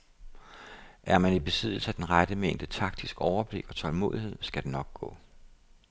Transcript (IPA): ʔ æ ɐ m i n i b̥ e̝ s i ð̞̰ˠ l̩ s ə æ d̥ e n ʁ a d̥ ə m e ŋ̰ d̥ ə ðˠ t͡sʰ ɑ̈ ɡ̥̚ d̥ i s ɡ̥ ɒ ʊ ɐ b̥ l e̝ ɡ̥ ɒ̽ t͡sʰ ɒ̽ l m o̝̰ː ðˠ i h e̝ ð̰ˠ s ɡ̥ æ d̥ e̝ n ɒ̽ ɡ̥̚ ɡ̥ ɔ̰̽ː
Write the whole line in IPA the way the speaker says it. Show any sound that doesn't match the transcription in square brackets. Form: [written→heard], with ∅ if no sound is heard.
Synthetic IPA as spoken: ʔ æ ɐ m [i→æ] n i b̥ e̝ s i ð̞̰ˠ l̩ s ə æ d̥ e n ʁ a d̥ ə m e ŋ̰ d̥ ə [ðˠ→∅] t͡sʰ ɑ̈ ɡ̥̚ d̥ i s ɡ̥ ɒ ʊ ɐ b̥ l e̝ ɡ̥ ɒ̽ t͡sʰ ɒ̽ l m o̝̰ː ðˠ i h e̝ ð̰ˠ s ɡ̥ æ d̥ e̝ n ɒ̽ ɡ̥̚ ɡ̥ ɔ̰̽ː